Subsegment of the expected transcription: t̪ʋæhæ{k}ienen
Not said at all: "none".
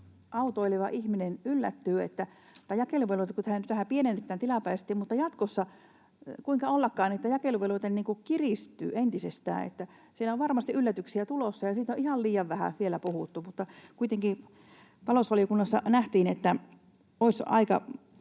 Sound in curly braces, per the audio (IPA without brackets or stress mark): p